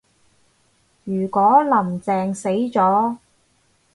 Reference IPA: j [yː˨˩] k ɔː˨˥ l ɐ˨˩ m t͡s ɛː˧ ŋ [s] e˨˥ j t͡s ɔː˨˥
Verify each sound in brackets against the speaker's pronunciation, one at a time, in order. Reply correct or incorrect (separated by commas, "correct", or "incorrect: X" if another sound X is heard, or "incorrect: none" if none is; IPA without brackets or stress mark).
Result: correct, correct